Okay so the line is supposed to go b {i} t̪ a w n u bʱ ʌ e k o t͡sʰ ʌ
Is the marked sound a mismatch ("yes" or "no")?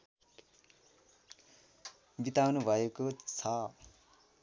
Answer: no